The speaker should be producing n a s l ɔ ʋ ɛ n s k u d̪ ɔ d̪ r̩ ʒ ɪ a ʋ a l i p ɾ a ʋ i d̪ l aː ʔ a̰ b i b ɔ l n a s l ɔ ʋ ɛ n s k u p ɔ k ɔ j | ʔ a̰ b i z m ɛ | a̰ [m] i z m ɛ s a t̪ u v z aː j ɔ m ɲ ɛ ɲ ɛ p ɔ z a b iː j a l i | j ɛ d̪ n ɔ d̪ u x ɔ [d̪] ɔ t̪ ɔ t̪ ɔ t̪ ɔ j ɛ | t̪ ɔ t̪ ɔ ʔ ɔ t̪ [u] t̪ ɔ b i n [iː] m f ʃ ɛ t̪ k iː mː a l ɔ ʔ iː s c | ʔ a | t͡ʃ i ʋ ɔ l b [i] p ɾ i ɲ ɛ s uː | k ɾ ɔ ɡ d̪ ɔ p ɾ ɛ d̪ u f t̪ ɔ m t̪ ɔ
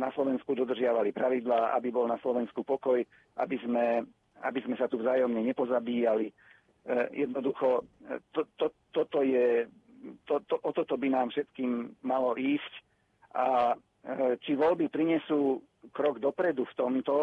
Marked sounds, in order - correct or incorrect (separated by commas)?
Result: incorrect, incorrect, incorrect, incorrect, correct